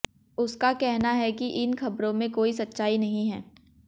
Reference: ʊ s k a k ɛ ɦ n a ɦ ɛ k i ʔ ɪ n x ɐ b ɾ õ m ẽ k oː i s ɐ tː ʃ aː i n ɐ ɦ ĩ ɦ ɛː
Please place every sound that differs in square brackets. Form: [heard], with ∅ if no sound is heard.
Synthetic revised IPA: ʊ s k a k ɛ ɦ n a ɦ ɛ k i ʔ ɪ n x ɐ b ɾ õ m ẽ k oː i s ɐ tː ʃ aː i n ɐ ɦ ĩ ɦ ɛː